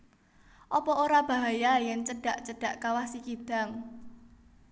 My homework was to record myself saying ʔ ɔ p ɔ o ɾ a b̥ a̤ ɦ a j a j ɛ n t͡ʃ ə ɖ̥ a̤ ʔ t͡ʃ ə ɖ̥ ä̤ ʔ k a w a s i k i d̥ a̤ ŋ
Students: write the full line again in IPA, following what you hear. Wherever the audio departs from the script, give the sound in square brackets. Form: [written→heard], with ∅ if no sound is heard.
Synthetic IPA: ʔ ɔ p ɔ o ɾ a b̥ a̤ ɦ a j a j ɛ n t͡ʃ ə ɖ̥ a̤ ʔ t͡ʃ ə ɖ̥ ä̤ ʔ k a w a s i k i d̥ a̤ ŋ